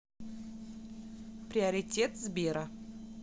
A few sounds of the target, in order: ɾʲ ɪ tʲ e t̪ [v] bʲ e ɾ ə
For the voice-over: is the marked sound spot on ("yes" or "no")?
no